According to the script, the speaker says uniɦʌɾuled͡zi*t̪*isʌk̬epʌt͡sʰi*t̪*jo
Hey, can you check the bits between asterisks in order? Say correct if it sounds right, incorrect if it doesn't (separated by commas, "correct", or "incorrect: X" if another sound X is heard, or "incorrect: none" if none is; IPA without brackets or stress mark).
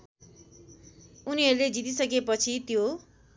correct, correct